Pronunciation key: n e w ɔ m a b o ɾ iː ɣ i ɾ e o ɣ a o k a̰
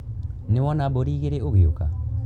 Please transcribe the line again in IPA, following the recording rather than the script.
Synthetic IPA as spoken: n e w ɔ n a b o ɾ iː ɣ e ɾ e o ɣ e o k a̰